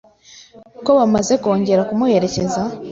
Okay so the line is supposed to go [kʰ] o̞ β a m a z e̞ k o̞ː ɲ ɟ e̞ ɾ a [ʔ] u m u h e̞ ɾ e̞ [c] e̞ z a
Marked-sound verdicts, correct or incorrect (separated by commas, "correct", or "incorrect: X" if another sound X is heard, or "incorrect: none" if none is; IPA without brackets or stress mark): incorrect: k, incorrect: k, correct